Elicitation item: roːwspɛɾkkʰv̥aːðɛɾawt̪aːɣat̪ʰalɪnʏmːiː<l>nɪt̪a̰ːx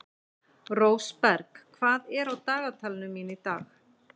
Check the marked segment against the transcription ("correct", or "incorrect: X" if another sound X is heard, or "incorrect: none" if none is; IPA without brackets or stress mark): incorrect: none